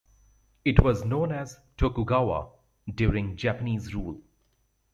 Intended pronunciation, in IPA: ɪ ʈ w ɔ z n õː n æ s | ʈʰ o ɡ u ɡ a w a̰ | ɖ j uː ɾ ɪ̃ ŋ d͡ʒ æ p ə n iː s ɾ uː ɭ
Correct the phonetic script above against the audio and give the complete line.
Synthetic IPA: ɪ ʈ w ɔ z n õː n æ z | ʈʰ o k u ɡ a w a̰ | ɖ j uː ɾ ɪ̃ ŋ d͡ʒ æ p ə n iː z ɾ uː l